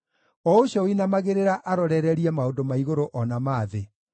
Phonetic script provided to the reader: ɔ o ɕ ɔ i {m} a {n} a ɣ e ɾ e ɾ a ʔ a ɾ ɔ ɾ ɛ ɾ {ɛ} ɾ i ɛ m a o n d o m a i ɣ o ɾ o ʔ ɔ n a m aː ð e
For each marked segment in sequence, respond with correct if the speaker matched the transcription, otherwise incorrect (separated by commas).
incorrect, incorrect, correct